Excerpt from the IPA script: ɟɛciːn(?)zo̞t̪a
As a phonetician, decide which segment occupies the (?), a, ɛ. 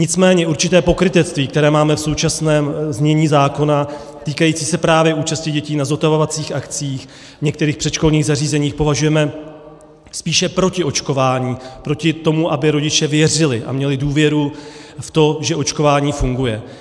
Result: a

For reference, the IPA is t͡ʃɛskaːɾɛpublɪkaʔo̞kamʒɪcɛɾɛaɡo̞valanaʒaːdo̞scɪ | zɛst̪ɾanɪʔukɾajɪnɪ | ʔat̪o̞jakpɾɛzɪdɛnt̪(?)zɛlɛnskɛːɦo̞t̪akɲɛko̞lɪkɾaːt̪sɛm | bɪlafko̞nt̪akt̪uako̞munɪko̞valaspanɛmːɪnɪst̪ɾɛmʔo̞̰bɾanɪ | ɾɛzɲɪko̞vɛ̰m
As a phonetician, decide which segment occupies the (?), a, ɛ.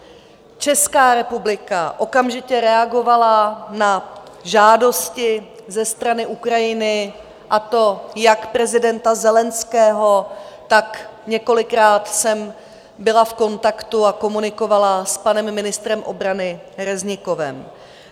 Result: a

